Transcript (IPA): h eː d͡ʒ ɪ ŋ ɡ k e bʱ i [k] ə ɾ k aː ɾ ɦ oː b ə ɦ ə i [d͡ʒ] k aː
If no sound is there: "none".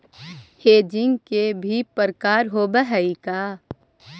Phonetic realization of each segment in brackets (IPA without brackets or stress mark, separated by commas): p, none